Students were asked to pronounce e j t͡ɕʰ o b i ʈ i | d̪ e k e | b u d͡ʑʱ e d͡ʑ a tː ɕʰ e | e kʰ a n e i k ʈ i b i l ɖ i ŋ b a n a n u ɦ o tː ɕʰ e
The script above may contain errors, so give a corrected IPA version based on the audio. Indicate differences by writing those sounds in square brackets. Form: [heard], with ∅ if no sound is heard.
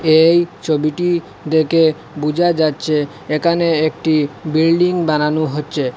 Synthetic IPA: e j t͡ɕʰ o b i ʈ i | d̪ e k e | b u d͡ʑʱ [a] d͡ʑ a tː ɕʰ e | e kʰ a n e [e] k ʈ i b i l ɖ i ŋ b a n a n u ɦ o tː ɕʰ e